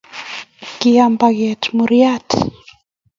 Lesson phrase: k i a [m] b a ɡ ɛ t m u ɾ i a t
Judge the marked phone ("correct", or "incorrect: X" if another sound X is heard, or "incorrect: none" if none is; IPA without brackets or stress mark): correct